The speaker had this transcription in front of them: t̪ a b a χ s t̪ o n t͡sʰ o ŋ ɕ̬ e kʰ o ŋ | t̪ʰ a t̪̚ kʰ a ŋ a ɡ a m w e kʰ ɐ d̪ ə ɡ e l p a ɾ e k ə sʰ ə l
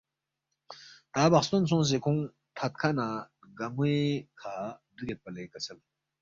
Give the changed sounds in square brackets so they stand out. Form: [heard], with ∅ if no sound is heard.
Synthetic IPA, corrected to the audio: t̪ a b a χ s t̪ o n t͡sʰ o ŋ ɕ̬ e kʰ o ŋ | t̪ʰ a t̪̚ kʰ a [n] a ɡ a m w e kʰ [a] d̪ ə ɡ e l p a [l] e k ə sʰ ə l

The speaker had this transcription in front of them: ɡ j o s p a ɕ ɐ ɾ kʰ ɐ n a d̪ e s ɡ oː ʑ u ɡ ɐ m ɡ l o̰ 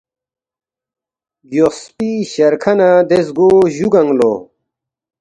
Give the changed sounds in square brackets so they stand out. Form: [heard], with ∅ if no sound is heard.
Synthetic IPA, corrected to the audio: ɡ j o s p [i] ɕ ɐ ɾ kʰ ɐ n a d̪ e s ɡ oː ʑ u ɡ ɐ [ŋ] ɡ l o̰

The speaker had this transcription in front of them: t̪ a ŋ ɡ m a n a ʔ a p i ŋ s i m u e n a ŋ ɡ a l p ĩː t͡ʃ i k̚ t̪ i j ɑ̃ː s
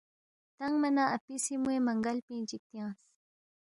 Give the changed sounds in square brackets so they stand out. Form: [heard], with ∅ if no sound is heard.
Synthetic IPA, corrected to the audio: t̪ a ŋ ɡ m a n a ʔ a p i [∅] s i m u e [m] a ŋ ɡ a l p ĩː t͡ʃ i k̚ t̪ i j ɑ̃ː s

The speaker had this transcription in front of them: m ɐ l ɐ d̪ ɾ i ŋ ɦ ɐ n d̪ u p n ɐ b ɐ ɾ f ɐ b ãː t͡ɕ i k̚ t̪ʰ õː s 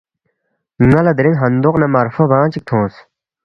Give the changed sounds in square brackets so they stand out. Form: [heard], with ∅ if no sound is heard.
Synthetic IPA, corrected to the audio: [ŋ] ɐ l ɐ d̪ ɾ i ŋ ɦ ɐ n d̪ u [q] n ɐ [m] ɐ ɾ f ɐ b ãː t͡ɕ i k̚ t̪ʰ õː s

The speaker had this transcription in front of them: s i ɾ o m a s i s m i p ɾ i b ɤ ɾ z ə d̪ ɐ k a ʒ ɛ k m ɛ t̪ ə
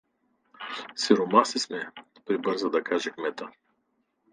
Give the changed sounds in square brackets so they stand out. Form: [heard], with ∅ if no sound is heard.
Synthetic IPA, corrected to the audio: s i ɾ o m a s i s m [ɛ] p ɾ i b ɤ ɾ z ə d̪ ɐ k a ʒ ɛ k m ɛ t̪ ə

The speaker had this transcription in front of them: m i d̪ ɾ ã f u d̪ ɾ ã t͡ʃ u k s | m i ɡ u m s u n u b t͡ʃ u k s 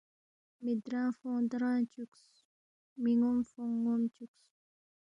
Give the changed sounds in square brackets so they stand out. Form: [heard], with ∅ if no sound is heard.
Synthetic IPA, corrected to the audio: m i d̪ ɾ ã f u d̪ ɾ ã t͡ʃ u k s | m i [ŋ] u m [f] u [ŋ] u [m] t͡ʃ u k s

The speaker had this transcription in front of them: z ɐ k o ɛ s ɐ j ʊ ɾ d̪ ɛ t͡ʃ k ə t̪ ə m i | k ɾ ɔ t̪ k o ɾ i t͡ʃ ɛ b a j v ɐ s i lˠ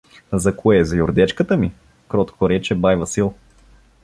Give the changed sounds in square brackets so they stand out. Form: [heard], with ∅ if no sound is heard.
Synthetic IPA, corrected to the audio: z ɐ k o ɛ [z] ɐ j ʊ ɾ d̪ ɛ t͡ʃ k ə t̪ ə m i | k ɾ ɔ t̪ k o ɾ [ɛ] t͡ʃ ɛ b a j v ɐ s i lˠ

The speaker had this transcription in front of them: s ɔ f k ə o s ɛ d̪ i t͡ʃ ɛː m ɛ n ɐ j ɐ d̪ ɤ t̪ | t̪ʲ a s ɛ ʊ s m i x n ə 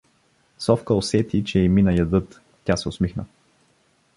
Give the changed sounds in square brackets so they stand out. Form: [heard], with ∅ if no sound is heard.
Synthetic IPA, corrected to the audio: s ɔ f k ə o s ɛ [t̪] i t͡ʃ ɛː m [i] n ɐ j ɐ d̪ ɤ t̪ | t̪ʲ a s ɛ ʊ s m i x n ə

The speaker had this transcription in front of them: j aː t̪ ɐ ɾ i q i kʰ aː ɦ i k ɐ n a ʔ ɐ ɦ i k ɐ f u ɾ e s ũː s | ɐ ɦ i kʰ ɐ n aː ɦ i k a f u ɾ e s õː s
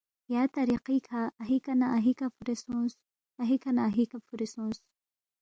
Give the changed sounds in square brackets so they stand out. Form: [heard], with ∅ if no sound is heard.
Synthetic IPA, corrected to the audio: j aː t̪ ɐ ɾ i q i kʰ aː ɦ i k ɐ n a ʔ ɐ ɦ i k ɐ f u ɾ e s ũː s | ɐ ɦ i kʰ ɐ n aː ɦ i k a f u ɾ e s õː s

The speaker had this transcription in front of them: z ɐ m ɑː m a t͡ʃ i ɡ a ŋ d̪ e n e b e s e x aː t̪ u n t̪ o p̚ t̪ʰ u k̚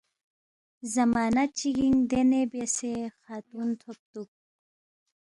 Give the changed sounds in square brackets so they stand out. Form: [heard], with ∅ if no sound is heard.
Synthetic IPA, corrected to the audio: z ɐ m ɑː [n] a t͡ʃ i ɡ [i] ŋ d̪ e n e b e s e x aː t̪ u n [t̪ʰ] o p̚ [t̪] u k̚

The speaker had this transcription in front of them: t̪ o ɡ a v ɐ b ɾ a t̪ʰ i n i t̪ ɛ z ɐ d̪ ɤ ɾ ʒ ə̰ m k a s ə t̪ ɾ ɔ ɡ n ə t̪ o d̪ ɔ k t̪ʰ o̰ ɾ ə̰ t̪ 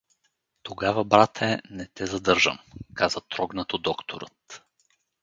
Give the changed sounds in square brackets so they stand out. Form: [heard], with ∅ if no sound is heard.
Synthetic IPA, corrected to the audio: t̪ o ɡ a v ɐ b ɾ a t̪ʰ [ɛ] n [ɛ] t̪ ɛ z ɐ d̪ ɤ ɾ ʒ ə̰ m k a [z] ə t̪ ɾ ɔ ɡ n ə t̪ o d̪ ɔ k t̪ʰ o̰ ɾ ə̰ t̪

